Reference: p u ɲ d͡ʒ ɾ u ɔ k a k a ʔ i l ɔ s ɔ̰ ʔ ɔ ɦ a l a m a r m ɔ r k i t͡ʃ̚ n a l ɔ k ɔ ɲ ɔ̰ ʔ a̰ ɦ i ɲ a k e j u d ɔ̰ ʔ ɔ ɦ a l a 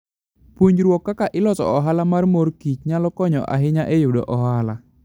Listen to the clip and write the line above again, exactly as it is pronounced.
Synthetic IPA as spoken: p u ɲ d͡ʒ ɾ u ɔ k a k a ʔ i l ɔ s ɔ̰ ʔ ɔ ɦ a l a m a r m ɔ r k i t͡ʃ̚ ɲ a l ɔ k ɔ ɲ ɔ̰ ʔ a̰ ɦ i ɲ a ʔ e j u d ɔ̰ ʔ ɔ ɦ a l a